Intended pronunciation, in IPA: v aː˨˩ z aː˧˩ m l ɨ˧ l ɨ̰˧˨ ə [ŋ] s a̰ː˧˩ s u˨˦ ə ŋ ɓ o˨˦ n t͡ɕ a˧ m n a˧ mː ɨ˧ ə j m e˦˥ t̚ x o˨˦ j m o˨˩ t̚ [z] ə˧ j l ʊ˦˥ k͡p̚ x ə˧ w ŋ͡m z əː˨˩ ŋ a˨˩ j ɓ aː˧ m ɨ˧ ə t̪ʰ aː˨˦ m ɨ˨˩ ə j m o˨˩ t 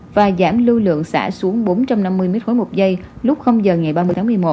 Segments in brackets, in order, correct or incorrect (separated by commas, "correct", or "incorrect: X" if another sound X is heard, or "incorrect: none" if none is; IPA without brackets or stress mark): correct, correct